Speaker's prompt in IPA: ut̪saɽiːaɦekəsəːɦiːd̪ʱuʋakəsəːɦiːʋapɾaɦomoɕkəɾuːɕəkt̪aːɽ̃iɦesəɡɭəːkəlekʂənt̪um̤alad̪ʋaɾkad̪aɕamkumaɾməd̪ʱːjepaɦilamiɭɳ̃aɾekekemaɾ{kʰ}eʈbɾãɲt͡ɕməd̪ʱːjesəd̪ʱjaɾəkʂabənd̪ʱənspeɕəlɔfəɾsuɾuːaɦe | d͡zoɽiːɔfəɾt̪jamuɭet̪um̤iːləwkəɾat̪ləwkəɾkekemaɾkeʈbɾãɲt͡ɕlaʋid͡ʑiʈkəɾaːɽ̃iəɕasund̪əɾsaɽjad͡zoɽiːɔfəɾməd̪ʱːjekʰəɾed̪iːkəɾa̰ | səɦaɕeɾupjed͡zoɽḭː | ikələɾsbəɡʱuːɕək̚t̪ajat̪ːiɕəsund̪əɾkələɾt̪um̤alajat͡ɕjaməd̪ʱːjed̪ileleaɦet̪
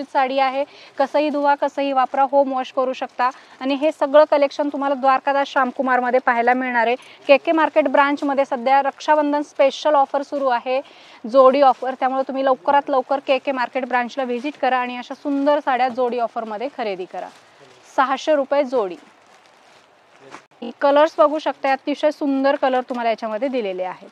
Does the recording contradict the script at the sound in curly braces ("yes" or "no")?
yes